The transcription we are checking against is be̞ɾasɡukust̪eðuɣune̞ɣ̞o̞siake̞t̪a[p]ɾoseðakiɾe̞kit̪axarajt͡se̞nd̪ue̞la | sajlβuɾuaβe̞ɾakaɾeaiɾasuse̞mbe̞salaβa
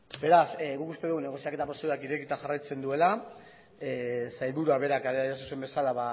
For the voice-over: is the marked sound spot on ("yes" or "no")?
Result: yes